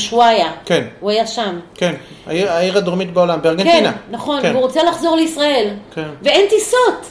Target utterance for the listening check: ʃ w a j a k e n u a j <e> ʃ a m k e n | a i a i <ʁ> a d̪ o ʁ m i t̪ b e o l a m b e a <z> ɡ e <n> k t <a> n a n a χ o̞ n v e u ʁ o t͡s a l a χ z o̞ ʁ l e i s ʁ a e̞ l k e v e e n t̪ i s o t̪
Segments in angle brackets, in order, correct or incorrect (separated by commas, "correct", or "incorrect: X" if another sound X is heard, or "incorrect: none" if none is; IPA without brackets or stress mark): incorrect: a, correct, incorrect: ʁ, correct, incorrect: i